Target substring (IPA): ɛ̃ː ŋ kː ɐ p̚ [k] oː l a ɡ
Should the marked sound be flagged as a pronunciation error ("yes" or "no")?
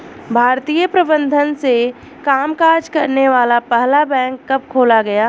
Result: yes